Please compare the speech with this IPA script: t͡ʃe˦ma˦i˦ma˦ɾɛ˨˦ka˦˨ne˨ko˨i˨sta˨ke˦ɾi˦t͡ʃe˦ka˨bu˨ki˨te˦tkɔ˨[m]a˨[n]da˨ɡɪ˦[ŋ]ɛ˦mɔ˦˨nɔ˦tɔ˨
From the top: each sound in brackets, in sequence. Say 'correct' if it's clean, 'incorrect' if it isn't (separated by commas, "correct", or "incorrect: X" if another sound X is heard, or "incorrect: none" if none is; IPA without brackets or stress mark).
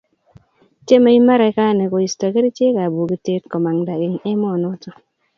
correct, incorrect: ŋ, correct